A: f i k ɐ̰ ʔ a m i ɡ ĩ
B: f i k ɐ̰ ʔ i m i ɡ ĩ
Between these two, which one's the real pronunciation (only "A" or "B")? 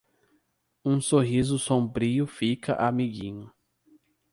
A